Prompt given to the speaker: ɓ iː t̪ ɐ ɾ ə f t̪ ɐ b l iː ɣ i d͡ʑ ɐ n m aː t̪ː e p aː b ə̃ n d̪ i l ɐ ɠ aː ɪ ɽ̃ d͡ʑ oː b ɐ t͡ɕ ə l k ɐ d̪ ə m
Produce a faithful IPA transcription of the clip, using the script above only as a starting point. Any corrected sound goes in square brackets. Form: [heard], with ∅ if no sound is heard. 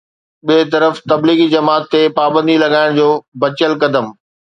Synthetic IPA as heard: ɓ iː t̪ ɐ ɾ ə f t̪ ɐ b l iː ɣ i d͡ʑ ɐ [∅] m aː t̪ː e p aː b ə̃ n d̪ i l ɐ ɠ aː ɪ ɽ̃ d͡ʑ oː b ɐ t͡ɕ ə l k ɐ d̪ ə m